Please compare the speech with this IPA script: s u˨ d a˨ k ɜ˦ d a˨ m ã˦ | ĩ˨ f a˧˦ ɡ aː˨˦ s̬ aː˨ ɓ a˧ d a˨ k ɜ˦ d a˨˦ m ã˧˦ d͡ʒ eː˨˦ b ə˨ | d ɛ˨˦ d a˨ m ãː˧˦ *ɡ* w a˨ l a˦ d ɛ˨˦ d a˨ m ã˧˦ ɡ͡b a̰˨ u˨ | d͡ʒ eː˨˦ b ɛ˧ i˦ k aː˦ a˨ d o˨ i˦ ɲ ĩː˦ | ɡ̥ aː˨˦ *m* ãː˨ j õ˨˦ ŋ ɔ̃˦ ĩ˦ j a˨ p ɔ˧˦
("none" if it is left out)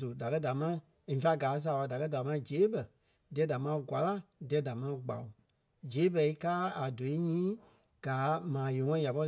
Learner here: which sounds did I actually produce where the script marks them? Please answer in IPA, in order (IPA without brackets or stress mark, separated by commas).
ɡ, m